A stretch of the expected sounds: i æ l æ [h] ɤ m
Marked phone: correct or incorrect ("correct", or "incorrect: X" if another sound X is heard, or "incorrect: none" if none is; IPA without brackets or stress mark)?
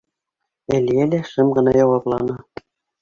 incorrect: ʃ